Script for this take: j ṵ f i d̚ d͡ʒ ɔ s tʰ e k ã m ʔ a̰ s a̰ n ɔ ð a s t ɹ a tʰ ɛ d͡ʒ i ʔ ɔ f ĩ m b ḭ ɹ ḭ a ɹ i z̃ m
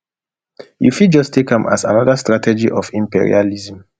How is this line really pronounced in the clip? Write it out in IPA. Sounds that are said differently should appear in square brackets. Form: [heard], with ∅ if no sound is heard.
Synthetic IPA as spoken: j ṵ f i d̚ d͡ʒ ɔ s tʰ e k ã m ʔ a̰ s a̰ n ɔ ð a s t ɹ a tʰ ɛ d͡ʒ i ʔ ɔ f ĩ m [p] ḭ ɹ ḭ a [l] i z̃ m

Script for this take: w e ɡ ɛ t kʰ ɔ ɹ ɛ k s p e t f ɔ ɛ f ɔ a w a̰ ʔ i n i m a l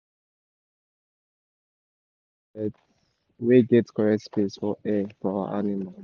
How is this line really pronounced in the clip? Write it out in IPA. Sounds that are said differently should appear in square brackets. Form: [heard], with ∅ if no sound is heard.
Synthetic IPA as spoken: w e ɡ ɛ t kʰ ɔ ɹ ɛ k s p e [s] f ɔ ɛ f ɔ a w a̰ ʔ [a] n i m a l

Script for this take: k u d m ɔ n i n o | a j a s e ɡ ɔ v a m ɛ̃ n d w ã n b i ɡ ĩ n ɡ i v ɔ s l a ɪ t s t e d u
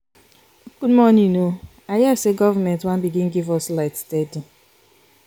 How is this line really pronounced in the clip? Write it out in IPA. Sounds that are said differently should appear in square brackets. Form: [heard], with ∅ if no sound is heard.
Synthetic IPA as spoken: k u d m ɔ n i n o | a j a s e ɡ ɔ v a m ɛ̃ n [t] w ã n b i ɡ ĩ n ɡ i v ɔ s l a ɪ t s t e d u

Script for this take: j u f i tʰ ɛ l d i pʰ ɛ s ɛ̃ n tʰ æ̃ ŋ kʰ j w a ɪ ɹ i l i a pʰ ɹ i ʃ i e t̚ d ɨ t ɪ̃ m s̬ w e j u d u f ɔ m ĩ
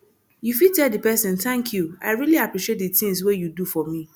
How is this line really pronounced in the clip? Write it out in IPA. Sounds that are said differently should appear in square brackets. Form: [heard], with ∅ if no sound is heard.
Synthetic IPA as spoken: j u f i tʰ ɛ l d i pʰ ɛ s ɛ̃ n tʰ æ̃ ŋ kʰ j [u] a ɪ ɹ i l i a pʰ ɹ i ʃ i e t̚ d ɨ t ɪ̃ [ŋ] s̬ w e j u d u f ɔ m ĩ

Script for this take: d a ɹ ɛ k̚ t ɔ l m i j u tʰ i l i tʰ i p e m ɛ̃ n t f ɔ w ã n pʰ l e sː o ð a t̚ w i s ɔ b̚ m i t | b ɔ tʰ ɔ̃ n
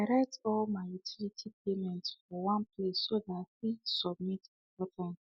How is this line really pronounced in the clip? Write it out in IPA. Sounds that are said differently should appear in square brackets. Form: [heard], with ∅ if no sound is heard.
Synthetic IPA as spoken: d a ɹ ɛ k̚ t ɔ l m [a] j u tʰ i l i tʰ i p e m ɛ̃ n t f ɔ w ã n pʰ l e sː o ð a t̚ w i s ɔ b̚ m i t | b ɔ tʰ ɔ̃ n

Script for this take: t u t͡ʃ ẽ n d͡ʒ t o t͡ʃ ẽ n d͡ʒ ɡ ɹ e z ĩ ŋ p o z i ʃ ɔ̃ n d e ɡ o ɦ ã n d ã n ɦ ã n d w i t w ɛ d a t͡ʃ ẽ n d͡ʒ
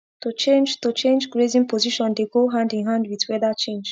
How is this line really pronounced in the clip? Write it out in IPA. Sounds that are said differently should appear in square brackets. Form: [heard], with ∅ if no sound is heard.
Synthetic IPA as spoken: t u t͡ʃ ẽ n d͡ʒ t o t͡ʃ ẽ n d͡ʒ ɡ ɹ e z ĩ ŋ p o z i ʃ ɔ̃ n d e ɡ o ɦ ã n d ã n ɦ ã n d w i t w ɛ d a t͡ʃ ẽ n d͡ʒ

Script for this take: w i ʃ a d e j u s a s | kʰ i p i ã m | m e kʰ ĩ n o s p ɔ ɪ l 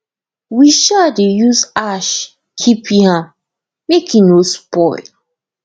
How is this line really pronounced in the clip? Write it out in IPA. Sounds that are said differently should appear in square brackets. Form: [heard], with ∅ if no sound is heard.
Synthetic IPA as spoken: w i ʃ a d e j u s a [ʃ] | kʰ i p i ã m | m e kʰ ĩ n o s p ɔ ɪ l

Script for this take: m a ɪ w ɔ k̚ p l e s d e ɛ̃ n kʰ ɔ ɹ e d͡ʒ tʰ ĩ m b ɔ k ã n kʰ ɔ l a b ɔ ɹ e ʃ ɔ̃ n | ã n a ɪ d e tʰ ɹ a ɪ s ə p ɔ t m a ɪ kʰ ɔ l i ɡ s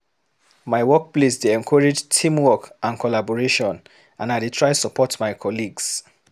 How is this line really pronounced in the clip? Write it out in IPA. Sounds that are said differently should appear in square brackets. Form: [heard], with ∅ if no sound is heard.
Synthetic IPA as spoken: m a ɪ w ɔ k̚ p l e s d e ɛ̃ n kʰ ɔ ɹ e d͡ʒ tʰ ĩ m [w] ɔ k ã n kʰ ɔ l a b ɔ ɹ e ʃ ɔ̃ n | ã n a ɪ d e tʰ ɹ a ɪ s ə p ɔ t m a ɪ kʰ ɔ l i ɡ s

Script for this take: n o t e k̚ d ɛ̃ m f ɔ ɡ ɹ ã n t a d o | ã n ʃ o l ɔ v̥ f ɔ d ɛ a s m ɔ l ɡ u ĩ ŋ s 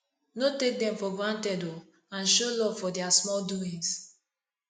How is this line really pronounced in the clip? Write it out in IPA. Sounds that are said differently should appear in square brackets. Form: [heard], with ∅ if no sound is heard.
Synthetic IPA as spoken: n o t e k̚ d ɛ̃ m f ɔ ɡ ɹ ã n t [ɛ] d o | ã n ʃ o l ɔ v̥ f ɔ d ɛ a s m ɔ l [d] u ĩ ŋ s

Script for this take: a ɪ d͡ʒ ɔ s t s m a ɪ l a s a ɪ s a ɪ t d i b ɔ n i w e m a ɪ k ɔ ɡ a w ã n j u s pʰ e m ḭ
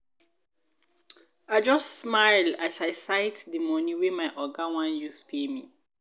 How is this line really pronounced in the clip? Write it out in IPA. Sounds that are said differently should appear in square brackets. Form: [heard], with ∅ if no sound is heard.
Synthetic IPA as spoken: a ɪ d͡ʒ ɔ s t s m a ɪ l a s a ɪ s a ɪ t d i [m] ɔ n i w e m a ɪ [ʔ] ɔ ɡ a w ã n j u s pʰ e m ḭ

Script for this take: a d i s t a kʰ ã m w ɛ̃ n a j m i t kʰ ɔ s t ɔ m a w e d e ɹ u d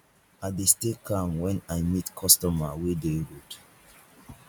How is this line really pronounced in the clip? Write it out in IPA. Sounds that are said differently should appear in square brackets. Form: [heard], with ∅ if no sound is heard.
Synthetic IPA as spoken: a d [e] s t [e] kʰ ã m w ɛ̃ n a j m i t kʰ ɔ s t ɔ m a w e d e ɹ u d

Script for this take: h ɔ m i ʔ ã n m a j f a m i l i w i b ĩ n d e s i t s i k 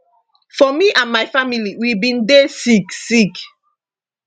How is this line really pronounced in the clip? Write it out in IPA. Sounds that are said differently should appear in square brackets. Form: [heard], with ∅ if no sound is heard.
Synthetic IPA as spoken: [f] ɔ m i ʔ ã n m a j f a m i l i w i b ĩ n d e s i [k] s i k

